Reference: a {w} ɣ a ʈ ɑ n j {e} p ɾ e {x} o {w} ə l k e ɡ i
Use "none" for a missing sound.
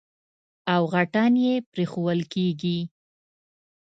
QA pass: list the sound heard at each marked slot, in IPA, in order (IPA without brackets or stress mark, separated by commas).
w, e, x, w